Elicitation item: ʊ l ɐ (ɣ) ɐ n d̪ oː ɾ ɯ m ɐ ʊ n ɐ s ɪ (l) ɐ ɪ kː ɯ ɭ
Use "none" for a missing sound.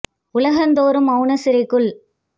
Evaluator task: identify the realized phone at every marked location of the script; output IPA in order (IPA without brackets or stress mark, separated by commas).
ɣ, ɾ